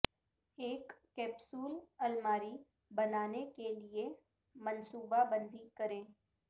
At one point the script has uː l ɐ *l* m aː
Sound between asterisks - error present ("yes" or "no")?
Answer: no